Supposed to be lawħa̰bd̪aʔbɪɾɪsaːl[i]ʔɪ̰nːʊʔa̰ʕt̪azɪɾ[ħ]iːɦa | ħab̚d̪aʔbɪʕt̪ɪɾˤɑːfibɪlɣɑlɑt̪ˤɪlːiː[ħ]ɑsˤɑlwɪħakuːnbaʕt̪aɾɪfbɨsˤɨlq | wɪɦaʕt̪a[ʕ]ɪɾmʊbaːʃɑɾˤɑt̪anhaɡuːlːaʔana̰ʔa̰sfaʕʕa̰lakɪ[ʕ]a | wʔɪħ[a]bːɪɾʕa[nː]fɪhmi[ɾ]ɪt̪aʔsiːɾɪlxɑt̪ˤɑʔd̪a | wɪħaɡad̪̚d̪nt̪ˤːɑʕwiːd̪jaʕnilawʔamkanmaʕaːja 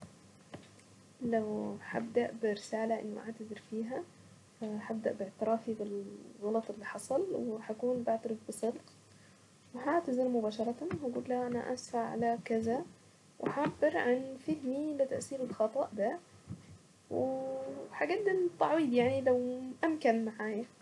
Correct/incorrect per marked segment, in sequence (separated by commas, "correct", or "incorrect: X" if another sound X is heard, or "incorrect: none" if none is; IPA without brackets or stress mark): incorrect: a, incorrect: f, correct, incorrect: z, incorrect: z, correct, incorrect: n, incorrect: l